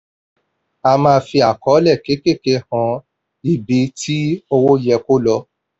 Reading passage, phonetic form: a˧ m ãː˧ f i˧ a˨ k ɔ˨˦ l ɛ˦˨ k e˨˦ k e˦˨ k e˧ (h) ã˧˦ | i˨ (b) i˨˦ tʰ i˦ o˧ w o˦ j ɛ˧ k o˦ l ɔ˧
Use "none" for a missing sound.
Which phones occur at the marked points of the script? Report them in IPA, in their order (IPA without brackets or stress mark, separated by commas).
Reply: h, b